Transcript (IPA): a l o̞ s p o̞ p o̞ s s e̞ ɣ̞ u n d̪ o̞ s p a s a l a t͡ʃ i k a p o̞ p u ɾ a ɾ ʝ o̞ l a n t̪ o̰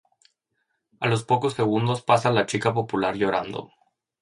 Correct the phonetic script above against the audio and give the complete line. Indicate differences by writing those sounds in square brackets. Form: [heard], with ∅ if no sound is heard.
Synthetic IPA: a l o̞ s p o̞ [k] o̞ s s e̞ ɣ̞ u n d̪ o̞ s p a s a l a t͡ʃ i k a p o̞ p u [l] a ɾ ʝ o̞ [ɾ] a n [d̪] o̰